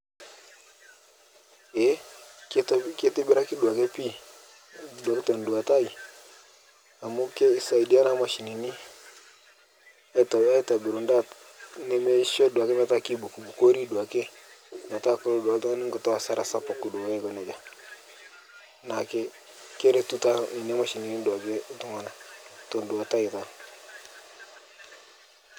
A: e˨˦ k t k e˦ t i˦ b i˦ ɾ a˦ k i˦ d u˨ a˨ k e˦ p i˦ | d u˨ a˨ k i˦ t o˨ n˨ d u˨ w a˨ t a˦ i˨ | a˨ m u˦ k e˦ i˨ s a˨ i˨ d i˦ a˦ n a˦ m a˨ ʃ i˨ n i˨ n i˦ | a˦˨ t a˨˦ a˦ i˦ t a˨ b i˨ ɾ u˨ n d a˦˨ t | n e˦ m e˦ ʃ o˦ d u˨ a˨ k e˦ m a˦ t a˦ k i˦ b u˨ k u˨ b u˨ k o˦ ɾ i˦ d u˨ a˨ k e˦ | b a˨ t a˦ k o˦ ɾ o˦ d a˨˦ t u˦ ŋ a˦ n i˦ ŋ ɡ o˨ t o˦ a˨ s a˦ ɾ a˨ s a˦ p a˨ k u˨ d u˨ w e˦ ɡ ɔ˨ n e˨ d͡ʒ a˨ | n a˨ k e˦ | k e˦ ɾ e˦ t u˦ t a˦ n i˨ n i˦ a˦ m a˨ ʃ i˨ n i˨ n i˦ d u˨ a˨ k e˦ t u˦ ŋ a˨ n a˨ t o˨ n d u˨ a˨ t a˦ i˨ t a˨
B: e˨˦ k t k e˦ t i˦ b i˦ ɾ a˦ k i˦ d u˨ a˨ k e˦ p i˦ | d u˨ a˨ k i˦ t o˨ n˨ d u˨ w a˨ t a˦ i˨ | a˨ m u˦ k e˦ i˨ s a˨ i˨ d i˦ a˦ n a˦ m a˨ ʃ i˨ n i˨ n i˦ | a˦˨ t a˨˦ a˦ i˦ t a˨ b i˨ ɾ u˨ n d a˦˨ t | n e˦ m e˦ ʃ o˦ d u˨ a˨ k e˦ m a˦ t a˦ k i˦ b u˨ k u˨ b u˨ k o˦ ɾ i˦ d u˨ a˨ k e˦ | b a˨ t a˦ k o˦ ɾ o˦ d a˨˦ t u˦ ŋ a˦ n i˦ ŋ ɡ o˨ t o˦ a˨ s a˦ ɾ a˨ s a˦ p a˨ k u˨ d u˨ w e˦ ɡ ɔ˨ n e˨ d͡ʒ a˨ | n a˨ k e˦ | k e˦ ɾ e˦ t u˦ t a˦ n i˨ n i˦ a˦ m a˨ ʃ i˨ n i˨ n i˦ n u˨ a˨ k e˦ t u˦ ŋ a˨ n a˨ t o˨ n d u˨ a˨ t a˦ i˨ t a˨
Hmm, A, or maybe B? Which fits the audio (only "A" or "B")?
A